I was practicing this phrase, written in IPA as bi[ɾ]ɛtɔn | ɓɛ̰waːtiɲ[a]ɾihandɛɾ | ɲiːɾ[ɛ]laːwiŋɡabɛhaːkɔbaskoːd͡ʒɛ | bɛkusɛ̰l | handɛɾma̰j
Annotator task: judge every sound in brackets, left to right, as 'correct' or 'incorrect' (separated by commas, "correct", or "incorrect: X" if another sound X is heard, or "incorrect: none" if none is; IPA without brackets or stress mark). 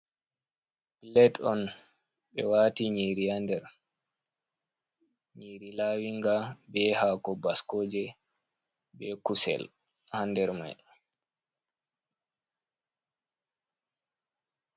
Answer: incorrect: l, incorrect: i, incorrect: i